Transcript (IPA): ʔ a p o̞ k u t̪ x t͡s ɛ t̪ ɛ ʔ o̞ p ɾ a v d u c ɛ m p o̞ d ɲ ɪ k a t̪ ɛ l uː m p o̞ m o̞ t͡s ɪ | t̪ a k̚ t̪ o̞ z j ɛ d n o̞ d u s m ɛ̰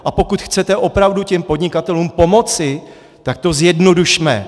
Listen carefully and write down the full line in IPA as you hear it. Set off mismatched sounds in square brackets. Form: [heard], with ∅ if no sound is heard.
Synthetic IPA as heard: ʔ a p o̞ k u t̪ x t͡s ɛ t̪ ɛ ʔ o̞ p ɾ a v d u c ɛ m p o̞ d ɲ ɪ k a t̪ ɛ l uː m p o̞ m o̞ t͡s ɪ | t̪ a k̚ t̪ o̞ z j ɛ d n o̞ d u [ʃ] m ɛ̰